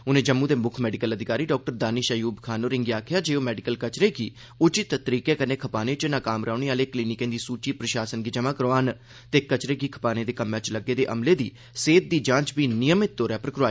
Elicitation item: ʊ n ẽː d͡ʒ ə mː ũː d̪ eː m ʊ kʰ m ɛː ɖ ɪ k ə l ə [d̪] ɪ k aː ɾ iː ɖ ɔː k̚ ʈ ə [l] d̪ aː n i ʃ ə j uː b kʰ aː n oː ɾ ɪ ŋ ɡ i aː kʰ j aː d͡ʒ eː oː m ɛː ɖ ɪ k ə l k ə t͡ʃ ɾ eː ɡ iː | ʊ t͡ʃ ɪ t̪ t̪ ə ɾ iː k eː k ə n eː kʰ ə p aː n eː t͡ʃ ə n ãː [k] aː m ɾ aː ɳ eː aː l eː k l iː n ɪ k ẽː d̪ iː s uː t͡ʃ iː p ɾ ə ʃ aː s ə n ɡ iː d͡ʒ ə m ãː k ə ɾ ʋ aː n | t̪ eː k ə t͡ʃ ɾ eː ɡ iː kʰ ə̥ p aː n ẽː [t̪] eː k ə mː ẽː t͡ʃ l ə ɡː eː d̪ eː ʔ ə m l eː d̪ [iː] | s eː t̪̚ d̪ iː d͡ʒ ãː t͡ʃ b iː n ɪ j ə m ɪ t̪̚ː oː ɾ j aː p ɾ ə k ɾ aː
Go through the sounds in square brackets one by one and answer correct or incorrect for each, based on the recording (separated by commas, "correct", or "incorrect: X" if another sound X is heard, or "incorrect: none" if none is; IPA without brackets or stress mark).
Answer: correct, incorrect: ɾ, correct, incorrect: d̪, correct